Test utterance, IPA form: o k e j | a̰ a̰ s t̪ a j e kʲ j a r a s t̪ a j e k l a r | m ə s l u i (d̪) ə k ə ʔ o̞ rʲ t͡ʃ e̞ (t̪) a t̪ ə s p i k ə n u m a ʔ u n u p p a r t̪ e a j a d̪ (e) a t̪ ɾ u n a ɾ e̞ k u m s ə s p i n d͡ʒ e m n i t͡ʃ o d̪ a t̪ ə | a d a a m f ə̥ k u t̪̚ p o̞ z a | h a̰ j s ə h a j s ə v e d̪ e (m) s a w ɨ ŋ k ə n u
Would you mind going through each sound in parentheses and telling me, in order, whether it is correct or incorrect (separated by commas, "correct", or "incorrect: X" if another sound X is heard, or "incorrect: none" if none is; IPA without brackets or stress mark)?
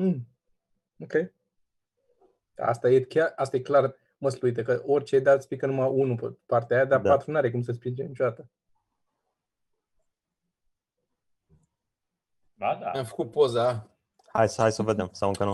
incorrect: t̪, incorrect: d̪, incorrect: a, correct